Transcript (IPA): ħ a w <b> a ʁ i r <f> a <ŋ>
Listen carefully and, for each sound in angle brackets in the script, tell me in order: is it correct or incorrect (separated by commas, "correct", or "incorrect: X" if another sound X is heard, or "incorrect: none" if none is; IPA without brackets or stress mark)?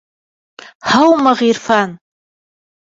incorrect: m, correct, incorrect: n